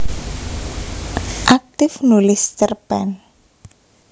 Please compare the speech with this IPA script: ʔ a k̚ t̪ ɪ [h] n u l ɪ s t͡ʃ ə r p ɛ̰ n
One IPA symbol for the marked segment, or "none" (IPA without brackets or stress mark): f